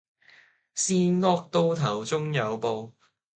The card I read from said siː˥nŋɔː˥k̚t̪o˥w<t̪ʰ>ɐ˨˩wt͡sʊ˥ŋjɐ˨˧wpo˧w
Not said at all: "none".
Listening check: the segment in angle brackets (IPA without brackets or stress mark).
t̪ʰ